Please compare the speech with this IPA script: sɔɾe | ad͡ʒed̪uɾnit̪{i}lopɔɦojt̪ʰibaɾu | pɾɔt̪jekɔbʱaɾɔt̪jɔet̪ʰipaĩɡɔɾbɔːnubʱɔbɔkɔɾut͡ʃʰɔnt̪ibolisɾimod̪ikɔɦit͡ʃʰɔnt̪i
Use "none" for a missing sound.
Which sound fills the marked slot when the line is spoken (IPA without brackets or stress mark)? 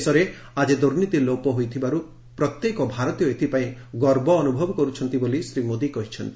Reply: i